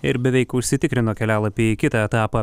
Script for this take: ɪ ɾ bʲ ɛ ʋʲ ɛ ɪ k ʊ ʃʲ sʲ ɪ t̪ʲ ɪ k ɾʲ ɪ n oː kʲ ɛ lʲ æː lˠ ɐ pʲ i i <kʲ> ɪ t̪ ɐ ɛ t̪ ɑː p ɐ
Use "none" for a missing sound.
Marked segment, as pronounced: kʲ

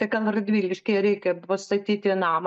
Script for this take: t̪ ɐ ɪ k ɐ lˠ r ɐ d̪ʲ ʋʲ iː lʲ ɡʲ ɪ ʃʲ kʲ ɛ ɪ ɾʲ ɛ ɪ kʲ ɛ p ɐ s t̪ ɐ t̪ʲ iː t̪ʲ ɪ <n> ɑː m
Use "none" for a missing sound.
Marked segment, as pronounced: n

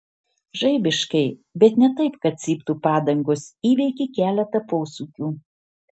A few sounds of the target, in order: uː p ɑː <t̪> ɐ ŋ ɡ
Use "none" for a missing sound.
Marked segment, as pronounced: d̪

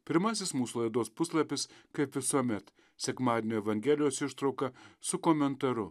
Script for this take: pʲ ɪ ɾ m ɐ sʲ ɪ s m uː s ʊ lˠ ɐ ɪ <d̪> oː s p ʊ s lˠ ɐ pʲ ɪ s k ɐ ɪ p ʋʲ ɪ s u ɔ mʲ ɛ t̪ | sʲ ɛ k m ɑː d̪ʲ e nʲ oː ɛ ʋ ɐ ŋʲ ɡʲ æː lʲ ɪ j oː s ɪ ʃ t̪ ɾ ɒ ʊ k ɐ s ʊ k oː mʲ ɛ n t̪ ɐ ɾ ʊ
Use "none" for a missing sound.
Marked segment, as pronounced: d̪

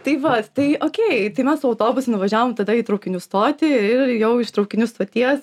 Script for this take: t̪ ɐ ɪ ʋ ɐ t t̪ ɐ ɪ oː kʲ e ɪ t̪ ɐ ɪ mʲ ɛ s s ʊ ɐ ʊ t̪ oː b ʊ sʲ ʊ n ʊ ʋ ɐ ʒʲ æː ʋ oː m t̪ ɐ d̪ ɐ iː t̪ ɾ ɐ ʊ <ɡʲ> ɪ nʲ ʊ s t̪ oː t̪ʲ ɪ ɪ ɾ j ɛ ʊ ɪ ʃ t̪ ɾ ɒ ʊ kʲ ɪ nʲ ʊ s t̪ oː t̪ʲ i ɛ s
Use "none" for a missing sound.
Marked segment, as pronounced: kʲ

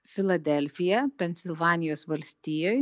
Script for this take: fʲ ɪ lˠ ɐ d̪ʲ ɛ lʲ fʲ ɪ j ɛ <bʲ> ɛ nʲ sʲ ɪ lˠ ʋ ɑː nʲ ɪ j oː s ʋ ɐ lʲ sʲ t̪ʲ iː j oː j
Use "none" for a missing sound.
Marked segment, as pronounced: pʲ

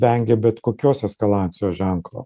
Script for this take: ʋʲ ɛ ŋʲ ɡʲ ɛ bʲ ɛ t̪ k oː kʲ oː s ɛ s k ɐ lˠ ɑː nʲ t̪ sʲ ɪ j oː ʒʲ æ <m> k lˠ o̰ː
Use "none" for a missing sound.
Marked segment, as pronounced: ŋ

